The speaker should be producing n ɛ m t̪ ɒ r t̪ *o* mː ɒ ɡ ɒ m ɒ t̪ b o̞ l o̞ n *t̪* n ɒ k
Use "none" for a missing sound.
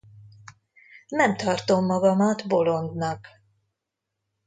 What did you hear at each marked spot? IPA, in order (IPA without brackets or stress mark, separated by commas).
o, d̪